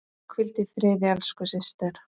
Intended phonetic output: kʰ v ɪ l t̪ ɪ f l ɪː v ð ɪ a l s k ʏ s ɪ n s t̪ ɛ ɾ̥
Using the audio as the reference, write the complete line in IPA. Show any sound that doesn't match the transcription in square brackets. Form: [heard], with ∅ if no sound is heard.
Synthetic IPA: kʰ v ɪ l t̪ ɪ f [ɾ] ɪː [∅] ð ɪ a l s k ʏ s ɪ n s t̪ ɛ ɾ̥